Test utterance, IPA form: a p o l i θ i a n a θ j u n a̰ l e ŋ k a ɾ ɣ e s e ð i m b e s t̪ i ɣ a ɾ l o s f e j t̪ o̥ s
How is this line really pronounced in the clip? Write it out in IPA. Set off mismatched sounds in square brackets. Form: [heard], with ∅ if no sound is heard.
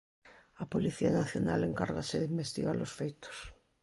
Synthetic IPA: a p o l i θ i a n a θ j [o] n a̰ l e ŋ k a ɾ ɣ [a] s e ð i m b e s t̪ i ɣ a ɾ l o s f e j t̪ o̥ s

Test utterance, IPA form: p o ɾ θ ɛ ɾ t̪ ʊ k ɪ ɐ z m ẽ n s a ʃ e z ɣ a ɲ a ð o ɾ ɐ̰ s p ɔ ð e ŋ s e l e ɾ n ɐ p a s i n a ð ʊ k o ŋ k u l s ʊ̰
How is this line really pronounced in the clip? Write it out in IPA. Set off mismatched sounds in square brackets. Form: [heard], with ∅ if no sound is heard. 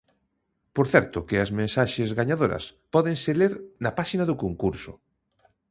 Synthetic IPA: p o ɾ θ ɛ ɾ t̪ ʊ k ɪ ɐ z m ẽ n s a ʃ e z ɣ a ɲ a ð o ɾ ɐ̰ s p ɔ ð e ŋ s e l e ɾ n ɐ p a [ʃ] i n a ð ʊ k o ŋ k u [ɾ] s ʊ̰

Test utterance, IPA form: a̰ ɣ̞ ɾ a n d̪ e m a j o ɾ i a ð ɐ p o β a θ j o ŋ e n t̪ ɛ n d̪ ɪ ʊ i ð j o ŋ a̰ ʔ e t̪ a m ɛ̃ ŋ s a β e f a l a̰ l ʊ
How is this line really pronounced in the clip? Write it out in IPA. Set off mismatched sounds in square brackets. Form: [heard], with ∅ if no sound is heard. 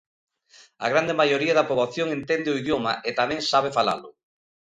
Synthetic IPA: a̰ ɣ̞ ɾ a n d̪ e m a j o ɾ i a ð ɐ p o β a θ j o ŋ e n t̪ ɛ n d̪ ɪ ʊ i ð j o [m] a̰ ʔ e t̪ a m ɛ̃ ŋ s a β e f a l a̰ l ʊ

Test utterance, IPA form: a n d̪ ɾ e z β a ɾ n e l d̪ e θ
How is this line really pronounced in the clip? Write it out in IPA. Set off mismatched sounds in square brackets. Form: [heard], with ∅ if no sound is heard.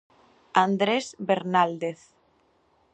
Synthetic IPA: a n d̪ ɾ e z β [e] ɾ n [a] l d̪ e θ

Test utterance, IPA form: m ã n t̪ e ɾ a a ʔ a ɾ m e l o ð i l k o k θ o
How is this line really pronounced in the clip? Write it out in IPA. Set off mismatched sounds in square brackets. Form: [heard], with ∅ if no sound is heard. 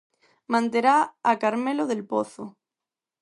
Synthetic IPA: m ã n t̪ e ɾ a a [k] a ɾ m e l o ð [e] l [p] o [∅] θ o

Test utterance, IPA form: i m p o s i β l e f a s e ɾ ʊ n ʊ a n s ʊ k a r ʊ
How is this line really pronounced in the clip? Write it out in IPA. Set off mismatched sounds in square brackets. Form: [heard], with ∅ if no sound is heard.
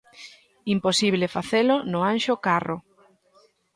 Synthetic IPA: i m p o s i β l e f a [θ] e [l] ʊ n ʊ a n [ʃ] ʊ k a r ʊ

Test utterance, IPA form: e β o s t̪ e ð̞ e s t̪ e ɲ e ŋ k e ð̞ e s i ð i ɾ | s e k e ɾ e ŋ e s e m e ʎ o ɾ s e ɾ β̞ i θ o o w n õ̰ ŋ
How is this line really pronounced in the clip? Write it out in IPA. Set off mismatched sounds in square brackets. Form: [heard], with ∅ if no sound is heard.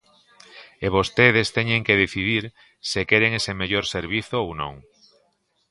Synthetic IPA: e β o s t̪ e ð̞ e s t̪ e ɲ e ŋ k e ð̞ e [θ] i ð i ɾ | s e k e ɾ e ŋ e s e m e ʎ o ɾ s e ɾ β̞ i θ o o w n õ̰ ŋ

